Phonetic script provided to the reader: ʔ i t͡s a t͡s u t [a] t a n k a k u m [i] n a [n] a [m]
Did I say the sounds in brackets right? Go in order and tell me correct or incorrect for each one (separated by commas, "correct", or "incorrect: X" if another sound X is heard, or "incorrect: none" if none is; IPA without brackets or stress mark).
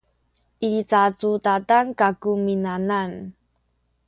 correct, correct, correct, incorrect: n